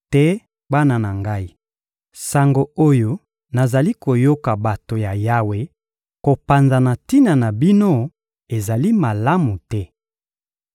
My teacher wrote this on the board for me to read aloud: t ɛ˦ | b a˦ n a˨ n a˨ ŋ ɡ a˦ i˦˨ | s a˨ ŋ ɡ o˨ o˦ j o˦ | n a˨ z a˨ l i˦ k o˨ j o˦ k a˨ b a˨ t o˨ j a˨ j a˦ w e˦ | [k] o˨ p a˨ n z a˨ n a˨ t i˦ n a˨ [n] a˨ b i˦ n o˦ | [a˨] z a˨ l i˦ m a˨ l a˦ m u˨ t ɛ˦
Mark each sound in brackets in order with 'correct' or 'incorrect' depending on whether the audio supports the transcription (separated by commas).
correct, correct, incorrect